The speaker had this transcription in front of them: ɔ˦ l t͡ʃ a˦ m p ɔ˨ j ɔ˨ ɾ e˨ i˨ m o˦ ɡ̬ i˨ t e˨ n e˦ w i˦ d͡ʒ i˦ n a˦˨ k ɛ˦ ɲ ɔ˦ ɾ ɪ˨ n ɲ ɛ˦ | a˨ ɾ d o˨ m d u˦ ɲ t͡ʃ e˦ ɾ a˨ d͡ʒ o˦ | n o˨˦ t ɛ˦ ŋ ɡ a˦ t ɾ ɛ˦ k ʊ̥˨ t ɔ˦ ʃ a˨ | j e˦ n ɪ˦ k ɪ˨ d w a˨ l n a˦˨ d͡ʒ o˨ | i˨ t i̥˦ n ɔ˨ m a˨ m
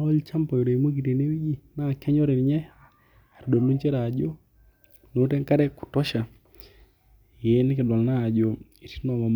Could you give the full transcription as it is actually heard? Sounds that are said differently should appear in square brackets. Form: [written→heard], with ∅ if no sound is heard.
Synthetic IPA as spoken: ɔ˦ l t͡ʃ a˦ m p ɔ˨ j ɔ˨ ɾ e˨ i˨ m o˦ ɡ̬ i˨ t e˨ n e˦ w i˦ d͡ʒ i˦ n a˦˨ k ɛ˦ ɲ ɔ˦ ɾ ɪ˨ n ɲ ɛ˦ | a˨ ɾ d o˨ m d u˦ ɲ t͡ʃ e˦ ɾ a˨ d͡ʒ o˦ | n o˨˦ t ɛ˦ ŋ [ɡ→k] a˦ [t→∅] ɾ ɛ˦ k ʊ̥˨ t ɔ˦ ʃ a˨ | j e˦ n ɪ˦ k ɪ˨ d w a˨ l n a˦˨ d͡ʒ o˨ | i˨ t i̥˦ n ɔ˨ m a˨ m